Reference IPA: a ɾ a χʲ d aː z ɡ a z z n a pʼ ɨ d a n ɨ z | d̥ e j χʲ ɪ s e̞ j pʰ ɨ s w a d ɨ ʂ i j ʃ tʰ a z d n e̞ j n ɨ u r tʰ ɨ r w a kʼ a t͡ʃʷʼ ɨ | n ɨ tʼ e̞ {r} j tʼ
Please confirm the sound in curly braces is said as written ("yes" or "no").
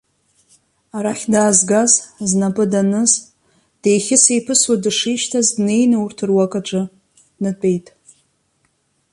no